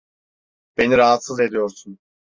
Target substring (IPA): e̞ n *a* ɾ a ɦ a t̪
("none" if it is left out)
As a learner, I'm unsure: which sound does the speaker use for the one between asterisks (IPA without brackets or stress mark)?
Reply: i